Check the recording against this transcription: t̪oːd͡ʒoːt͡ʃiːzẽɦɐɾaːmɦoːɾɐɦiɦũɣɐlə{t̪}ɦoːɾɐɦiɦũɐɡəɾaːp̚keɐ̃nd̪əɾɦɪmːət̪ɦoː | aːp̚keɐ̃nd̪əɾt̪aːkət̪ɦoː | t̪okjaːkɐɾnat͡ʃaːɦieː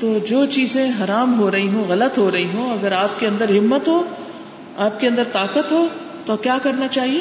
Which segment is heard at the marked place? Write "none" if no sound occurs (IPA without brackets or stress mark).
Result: t̪